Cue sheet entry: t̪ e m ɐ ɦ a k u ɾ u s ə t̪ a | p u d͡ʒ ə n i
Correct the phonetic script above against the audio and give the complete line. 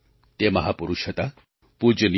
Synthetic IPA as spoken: t̪ e m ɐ ɦ a p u ɾ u ʃ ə t̪ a | p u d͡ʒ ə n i